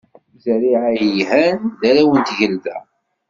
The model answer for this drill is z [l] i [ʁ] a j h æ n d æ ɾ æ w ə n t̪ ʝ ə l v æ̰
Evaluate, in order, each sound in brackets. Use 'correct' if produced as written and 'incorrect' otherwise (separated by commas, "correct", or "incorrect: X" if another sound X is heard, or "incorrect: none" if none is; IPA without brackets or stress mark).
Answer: incorrect: ɾ, incorrect: ʕ